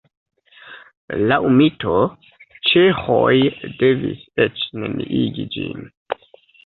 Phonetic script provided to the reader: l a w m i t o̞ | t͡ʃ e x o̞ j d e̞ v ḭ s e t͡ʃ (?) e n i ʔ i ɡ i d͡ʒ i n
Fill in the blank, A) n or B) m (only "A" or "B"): A